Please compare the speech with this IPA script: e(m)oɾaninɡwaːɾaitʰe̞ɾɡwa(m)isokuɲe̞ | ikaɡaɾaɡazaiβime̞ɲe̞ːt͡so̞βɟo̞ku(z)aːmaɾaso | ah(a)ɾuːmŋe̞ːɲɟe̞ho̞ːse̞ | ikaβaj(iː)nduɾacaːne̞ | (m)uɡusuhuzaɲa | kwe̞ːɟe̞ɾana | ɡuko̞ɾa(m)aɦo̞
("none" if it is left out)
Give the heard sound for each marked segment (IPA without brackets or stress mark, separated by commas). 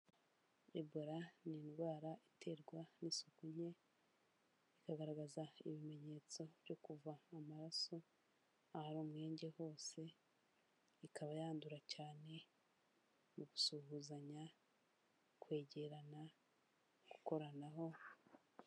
b, n, v, a, aː, m, n